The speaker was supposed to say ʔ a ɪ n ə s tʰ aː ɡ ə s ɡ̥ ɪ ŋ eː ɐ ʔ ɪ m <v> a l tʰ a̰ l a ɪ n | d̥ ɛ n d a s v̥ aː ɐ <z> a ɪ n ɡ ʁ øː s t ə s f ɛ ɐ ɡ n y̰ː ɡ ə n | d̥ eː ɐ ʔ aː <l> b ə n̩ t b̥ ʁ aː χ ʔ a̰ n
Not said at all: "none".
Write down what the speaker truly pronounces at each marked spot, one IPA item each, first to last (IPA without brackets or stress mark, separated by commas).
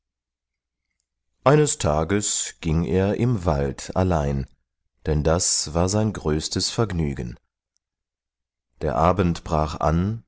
v, z, none